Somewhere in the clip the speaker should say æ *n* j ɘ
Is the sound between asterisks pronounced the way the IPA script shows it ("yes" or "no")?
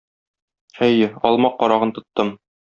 no